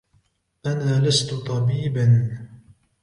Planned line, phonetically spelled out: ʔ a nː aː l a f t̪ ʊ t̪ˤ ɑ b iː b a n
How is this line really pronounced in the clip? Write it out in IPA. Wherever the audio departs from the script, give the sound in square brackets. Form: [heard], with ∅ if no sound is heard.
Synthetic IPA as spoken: ʔ a [n] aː l a [s] t̪ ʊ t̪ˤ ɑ b iː b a n

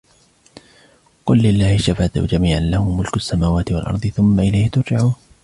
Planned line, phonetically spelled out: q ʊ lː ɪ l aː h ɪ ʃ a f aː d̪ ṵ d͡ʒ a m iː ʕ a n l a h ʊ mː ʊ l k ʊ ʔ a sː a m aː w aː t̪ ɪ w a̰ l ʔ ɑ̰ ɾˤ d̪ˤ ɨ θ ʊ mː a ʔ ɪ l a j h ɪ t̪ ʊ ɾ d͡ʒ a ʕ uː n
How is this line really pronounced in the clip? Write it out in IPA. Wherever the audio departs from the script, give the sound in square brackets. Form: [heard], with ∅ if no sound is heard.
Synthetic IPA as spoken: q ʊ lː ɪ [lː] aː h ɪ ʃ a f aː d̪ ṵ d͡ʒ a m iː ʕ a n l a h ʊ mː ʊ l k ʊ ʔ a sː a m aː w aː t̪ ɪ w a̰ l ʔ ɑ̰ ɾˤ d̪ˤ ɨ θ ʊ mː a ʔ ɪ l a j h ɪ t̪ ʊ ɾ d͡ʒ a ʕ uː n

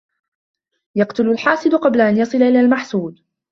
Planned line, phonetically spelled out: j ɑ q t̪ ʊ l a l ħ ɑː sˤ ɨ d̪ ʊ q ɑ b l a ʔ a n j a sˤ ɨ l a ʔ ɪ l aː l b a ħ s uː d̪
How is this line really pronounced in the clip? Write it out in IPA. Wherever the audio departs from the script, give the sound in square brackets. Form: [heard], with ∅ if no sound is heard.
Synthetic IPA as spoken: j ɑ q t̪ ʊ l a l ħ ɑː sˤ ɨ d̪ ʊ q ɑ b l a ʔ a n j [ɑ] sˤ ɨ l a ʔ ɪ l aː l [m] a ħ s uː d̪

